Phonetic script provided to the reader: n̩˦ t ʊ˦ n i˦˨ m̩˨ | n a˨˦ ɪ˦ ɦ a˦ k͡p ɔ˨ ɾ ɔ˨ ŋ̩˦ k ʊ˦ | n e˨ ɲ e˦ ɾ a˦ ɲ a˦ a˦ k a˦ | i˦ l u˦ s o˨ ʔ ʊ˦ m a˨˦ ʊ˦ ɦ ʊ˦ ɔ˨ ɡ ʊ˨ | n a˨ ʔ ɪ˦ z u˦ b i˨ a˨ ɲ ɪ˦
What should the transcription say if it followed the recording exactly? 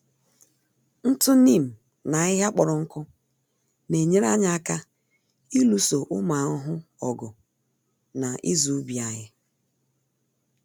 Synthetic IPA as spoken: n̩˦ t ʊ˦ n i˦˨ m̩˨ | n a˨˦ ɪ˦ ɦ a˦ k͡p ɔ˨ ɾ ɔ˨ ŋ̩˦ k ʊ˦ | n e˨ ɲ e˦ ɾ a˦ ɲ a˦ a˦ k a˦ | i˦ l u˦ s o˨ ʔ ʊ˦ m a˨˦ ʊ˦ ɦ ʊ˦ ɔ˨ ɡ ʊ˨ | n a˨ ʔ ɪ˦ z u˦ b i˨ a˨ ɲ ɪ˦

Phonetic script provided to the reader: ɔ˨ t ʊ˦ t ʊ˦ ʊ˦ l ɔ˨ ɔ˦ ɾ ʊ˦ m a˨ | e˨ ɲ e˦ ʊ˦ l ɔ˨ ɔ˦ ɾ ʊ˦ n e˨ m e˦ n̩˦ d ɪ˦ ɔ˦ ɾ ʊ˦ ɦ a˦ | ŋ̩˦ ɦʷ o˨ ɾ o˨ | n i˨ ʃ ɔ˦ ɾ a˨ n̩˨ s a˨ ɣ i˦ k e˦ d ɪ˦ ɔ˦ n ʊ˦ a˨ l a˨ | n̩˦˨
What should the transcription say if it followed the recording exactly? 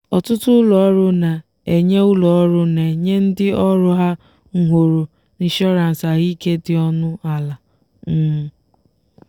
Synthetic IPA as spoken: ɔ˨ t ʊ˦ t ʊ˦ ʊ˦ l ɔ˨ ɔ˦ ɾ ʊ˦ n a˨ | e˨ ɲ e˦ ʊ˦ l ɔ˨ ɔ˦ ɾ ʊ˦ n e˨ ɲ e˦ n̩˦ d ɪ˦ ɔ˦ ɾ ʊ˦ ɦ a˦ | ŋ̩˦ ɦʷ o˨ ɾ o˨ | n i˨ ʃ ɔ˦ ɾ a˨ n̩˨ s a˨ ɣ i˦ k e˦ d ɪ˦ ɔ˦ n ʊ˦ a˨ l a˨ | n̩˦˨

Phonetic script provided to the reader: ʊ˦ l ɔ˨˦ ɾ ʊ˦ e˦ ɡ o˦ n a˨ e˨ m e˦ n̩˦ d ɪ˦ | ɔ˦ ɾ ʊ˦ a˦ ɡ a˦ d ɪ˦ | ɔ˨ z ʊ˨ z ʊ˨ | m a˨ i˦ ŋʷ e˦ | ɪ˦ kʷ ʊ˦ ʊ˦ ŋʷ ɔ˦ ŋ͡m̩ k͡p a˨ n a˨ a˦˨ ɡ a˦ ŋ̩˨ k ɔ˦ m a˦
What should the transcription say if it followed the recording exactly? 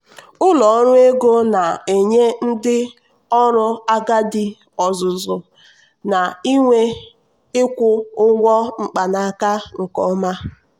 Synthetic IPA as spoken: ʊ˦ l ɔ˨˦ ɾ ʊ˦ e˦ ɡ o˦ n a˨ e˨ ɲ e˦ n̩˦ d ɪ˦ | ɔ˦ ɾ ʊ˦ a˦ ɡ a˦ d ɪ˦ | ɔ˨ z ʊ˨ z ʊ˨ | n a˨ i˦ ŋʷ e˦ | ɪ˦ kʷ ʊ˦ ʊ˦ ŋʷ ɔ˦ ŋ͡m̩ k͡p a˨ n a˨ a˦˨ k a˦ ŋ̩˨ k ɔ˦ m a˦

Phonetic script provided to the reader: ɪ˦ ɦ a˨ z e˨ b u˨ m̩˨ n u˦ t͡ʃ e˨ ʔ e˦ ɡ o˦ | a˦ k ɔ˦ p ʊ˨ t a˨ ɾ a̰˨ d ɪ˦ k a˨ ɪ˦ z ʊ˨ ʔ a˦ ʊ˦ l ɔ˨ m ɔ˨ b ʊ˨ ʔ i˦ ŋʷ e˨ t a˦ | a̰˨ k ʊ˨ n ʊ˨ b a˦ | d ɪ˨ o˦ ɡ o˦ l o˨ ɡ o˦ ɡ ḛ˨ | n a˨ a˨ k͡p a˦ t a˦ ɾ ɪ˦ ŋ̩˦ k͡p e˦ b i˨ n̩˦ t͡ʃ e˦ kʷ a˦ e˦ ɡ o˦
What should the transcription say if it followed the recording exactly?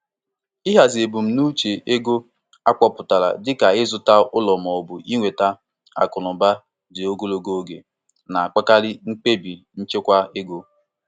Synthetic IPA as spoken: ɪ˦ ɦ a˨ z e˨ b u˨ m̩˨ n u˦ t͡ʃ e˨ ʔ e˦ ɡ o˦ | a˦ k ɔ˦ p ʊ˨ t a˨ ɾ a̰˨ d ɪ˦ k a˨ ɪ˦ z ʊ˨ t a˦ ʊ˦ l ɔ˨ m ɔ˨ b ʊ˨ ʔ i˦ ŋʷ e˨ t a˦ | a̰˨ k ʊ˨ n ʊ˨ b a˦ | d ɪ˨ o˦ ɡ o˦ l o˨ ɡ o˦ ɡ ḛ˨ | n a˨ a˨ k͡p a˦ k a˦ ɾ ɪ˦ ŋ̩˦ k͡p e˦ b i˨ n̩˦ t͡ʃ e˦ kʷ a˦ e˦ ɡ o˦

